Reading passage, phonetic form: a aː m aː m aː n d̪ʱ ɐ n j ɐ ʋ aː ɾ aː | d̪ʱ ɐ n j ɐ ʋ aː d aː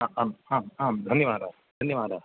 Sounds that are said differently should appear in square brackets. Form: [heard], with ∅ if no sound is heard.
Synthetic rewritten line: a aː m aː m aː [m] d̪ʱ ɐ n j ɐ ʋ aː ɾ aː | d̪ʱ ɐ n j ɐ ʋ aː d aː